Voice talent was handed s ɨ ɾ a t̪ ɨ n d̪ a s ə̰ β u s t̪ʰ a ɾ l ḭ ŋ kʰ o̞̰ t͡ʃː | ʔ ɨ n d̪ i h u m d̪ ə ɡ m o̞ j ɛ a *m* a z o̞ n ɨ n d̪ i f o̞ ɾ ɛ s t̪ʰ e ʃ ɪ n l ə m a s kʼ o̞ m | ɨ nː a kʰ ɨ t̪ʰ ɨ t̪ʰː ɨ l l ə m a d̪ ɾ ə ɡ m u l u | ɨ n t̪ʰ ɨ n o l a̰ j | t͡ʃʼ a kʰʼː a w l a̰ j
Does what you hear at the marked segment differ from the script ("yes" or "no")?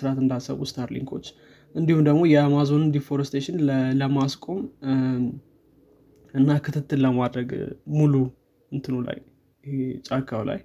no